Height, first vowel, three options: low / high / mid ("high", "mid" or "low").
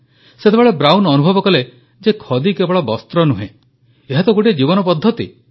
mid